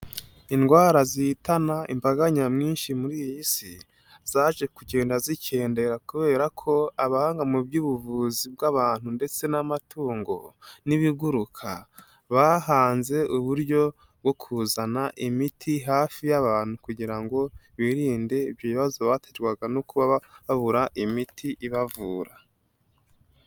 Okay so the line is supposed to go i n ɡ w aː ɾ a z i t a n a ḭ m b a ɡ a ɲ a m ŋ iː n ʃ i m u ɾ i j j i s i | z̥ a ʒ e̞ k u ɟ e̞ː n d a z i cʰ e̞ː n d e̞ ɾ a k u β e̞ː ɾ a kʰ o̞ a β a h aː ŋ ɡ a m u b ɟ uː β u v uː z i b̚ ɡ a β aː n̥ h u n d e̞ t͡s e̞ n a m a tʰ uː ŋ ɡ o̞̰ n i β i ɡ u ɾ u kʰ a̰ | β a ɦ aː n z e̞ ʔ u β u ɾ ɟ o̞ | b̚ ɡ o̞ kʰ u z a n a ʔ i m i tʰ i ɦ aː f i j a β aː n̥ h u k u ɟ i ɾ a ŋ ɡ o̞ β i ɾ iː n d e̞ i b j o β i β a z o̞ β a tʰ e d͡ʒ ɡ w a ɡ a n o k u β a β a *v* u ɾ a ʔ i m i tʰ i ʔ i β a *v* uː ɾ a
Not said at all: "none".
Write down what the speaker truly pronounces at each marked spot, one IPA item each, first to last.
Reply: β, v

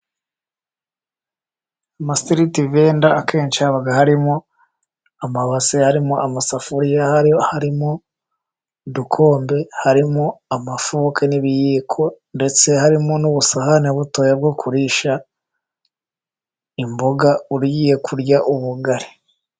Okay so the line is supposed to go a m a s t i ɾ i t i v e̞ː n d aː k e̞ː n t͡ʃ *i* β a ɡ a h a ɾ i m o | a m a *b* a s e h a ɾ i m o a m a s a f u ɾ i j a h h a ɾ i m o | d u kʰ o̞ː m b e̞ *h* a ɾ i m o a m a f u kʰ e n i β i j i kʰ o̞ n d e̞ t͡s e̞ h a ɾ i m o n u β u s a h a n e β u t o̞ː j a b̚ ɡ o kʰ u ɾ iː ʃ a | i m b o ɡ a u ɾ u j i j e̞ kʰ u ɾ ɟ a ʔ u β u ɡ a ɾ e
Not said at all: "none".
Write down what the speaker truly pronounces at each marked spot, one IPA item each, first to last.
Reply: a, β, h

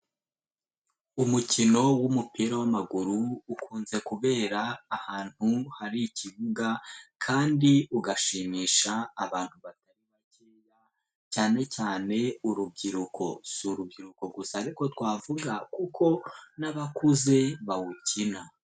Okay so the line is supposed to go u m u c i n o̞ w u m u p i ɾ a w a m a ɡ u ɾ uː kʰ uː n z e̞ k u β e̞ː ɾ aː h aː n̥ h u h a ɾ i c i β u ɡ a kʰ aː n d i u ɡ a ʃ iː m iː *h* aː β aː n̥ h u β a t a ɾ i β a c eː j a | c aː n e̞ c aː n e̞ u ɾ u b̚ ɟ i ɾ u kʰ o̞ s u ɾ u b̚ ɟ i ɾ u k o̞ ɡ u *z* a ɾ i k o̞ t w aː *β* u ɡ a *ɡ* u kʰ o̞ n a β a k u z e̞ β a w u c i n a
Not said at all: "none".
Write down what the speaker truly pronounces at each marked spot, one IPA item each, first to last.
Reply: ʃ, s, v, k

